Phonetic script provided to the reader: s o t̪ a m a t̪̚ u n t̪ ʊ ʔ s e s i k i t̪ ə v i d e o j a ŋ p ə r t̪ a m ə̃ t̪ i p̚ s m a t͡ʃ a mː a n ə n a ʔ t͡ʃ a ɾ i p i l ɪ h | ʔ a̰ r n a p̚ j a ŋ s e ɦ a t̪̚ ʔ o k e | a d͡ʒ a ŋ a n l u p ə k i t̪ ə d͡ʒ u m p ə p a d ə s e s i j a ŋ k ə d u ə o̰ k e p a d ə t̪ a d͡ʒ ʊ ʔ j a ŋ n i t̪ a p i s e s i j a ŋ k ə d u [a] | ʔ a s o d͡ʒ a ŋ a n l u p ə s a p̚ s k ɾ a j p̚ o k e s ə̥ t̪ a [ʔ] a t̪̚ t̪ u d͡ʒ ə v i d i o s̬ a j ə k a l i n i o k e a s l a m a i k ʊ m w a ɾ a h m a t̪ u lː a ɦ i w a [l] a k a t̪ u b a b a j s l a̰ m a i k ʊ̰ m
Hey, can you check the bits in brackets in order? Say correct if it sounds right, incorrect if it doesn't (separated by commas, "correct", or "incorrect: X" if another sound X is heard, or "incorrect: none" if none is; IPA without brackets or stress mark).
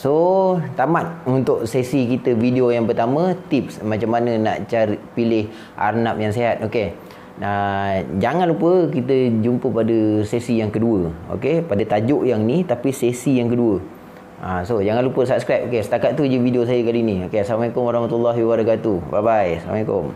incorrect: ə, incorrect: k, incorrect: ɾ